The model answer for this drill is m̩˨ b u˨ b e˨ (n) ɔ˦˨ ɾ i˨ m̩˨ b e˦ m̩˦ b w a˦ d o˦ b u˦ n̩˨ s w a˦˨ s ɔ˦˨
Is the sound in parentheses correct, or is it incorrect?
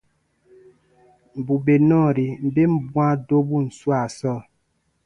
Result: correct